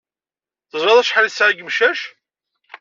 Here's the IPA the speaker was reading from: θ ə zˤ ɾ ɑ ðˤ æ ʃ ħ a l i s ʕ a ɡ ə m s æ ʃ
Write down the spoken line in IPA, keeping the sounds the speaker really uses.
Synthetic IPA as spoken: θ ə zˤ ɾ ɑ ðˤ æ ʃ ħ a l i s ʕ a ɡ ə m ʃ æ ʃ